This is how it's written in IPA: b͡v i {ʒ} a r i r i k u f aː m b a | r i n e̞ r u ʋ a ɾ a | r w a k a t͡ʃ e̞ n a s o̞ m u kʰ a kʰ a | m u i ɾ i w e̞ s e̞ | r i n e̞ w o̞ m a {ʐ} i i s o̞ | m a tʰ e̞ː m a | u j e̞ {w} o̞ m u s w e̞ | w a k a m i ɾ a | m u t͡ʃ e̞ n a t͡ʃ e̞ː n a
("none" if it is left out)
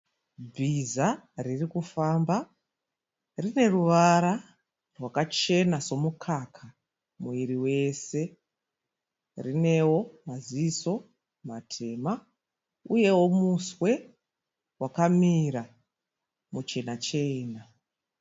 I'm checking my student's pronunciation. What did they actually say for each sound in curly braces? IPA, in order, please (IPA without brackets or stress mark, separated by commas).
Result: z, z, w